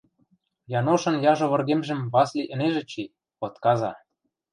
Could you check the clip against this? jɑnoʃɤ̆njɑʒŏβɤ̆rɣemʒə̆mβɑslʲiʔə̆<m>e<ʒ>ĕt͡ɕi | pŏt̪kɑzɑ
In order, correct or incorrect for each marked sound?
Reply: incorrect: n, correct

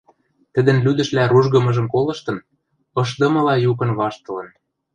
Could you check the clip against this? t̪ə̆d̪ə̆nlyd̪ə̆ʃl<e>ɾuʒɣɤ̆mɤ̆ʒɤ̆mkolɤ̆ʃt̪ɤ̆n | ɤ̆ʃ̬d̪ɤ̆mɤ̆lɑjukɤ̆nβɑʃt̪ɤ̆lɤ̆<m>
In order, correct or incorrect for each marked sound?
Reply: incorrect: æ, incorrect: n

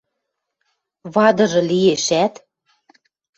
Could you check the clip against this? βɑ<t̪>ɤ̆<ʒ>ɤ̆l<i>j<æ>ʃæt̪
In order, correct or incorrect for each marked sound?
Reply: incorrect: d̪, correct, correct, incorrect: e

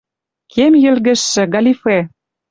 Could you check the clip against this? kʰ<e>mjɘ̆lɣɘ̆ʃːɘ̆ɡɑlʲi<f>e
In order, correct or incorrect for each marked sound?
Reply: correct, correct

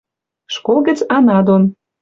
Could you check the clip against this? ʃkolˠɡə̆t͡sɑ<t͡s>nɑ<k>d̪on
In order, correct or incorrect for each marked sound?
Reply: incorrect: none, incorrect: none

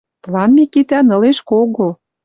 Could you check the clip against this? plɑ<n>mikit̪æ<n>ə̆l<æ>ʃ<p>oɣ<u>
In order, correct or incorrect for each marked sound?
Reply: correct, correct, incorrect: e, incorrect: k, incorrect: o

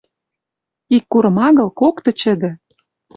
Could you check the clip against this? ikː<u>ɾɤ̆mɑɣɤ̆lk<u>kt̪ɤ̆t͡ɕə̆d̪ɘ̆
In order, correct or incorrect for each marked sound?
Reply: correct, incorrect: o

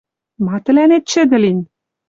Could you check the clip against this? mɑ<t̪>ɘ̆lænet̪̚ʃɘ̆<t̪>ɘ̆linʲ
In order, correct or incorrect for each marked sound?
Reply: correct, incorrect: d̪

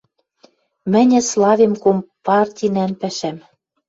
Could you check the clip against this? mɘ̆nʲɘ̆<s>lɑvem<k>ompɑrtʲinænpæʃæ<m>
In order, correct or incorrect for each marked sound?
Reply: correct, correct, correct

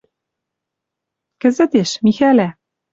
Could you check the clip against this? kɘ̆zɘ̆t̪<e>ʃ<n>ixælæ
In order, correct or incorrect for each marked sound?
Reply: correct, incorrect: m

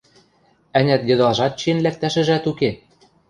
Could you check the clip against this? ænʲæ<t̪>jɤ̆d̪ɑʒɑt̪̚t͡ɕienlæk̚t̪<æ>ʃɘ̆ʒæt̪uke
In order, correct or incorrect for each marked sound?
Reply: correct, correct

